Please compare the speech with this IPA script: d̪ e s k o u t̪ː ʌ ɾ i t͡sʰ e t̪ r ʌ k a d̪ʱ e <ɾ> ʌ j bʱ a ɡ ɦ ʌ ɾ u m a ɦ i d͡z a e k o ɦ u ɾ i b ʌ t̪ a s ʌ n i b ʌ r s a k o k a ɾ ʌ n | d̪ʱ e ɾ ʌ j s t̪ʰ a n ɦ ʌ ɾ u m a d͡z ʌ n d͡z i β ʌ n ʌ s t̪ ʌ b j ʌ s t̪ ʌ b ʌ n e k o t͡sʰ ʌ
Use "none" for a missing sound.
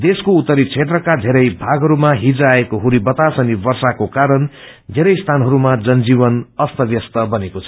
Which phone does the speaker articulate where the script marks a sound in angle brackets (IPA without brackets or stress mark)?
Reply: ɾ